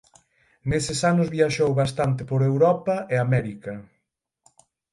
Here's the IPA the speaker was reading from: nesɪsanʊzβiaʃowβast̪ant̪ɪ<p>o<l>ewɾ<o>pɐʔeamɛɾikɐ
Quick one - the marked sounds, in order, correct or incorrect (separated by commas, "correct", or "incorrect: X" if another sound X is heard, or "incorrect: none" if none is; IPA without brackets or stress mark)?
correct, incorrect: ɾ, incorrect: ɔ